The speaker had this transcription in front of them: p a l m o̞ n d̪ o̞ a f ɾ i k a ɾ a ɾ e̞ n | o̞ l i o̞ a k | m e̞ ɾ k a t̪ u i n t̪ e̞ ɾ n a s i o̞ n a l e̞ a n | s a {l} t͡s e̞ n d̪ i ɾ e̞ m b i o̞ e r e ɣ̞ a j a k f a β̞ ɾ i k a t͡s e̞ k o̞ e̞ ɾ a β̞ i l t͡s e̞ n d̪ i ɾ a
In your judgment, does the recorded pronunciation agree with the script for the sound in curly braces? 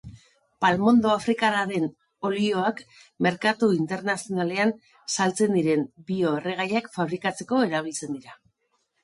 yes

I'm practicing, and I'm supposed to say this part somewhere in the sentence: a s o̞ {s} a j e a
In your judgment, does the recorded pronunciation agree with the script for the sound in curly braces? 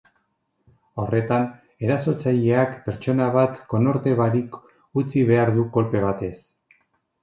no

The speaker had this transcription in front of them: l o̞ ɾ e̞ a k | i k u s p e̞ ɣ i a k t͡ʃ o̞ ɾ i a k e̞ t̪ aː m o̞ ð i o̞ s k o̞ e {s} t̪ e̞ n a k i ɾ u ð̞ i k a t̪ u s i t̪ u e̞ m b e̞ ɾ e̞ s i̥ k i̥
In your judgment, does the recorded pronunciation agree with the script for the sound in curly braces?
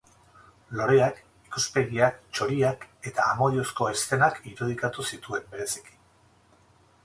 yes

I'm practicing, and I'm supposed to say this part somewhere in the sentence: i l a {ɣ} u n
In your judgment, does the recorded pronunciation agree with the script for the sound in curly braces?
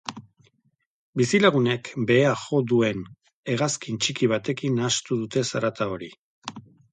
yes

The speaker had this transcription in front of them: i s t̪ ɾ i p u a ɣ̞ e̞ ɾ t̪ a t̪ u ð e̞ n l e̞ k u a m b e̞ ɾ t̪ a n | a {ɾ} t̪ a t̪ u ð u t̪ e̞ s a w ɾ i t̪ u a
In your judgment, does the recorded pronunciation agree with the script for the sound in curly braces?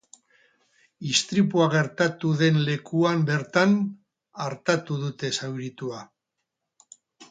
yes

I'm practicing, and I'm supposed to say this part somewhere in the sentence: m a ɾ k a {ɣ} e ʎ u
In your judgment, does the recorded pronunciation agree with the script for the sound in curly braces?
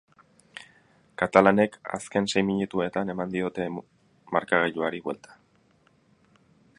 yes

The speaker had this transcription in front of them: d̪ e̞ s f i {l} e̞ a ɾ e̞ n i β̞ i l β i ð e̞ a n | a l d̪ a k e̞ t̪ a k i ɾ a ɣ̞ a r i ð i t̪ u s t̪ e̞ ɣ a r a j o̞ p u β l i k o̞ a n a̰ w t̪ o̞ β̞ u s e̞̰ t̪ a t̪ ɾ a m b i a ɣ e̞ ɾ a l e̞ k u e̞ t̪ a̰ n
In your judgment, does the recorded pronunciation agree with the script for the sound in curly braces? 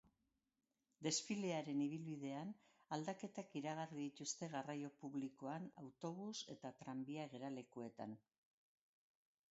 yes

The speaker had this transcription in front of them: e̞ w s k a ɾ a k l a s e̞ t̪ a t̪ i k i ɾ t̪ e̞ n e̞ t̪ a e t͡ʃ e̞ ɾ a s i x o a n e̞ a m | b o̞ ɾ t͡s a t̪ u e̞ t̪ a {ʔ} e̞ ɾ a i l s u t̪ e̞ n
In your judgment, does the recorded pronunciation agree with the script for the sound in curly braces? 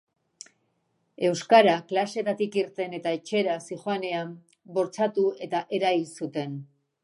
yes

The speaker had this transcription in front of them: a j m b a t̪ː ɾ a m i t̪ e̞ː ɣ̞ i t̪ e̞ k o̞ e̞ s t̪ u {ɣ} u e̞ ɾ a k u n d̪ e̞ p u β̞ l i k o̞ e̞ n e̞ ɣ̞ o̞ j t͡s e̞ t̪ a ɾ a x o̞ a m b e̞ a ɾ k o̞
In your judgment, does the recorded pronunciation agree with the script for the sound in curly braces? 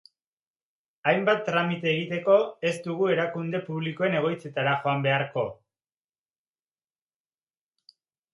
yes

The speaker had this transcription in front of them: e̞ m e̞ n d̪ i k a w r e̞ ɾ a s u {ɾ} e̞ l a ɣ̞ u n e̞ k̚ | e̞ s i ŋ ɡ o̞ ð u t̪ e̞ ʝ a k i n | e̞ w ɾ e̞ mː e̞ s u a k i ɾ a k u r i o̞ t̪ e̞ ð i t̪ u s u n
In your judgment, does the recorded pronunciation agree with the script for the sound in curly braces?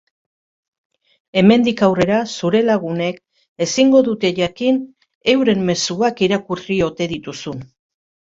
yes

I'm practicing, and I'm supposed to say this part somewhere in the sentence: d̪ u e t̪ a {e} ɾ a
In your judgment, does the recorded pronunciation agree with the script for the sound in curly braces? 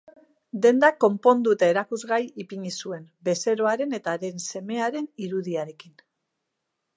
yes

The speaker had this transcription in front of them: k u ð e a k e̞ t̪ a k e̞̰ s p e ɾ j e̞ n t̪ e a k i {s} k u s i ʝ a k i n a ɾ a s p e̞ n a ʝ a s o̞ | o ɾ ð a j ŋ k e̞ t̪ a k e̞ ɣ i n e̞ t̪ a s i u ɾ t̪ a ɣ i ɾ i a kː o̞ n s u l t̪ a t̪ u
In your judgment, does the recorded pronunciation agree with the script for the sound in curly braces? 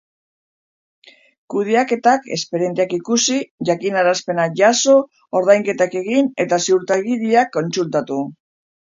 no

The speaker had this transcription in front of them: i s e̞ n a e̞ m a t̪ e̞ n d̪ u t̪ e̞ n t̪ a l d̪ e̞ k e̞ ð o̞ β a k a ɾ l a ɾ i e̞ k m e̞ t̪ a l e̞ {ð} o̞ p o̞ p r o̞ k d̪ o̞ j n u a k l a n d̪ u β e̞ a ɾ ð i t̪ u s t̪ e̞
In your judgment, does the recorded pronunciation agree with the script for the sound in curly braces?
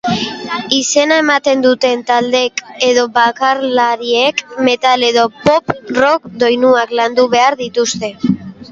yes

